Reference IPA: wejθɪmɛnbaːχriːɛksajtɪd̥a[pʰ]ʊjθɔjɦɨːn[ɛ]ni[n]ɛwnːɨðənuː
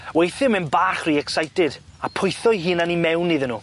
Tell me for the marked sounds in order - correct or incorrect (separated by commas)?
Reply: correct, incorrect, incorrect